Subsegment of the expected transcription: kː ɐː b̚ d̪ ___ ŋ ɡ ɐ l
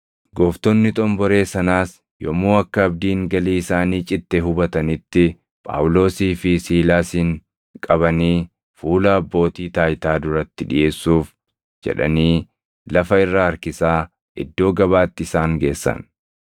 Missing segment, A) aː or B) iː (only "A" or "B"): B